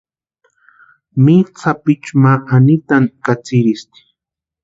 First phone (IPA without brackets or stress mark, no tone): m